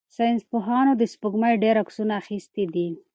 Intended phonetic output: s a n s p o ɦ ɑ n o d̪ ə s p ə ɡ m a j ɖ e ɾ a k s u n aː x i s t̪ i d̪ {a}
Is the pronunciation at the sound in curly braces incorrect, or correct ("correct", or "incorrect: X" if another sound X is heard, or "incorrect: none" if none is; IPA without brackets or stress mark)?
incorrect: i